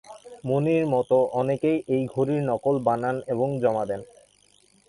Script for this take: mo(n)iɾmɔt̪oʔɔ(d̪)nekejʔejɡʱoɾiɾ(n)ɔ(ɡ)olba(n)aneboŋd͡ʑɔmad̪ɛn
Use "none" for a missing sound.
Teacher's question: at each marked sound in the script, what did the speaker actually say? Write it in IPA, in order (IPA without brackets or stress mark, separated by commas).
n, none, n, k, n